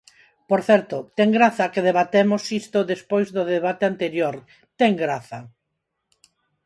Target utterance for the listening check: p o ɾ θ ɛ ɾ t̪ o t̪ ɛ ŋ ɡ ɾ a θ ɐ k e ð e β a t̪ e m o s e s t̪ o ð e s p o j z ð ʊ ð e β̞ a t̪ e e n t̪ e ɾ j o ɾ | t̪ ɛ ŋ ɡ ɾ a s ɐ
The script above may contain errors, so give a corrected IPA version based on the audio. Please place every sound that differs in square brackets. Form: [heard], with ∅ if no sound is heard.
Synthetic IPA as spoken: p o ɾ θ ɛ ɾ t̪ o t̪ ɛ ŋ ɡ ɾ a θ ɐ k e ð e β a t̪ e m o s [i] s t̪ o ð e s p o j z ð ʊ ð e β̞ a t̪ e [a] n t̪ e ɾ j o ɾ | t̪ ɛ ŋ ɡ ɾ a [θ] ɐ